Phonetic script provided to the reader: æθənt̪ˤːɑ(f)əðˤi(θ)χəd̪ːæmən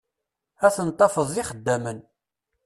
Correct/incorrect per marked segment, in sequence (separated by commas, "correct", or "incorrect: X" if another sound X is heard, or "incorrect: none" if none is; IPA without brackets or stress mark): correct, incorrect: none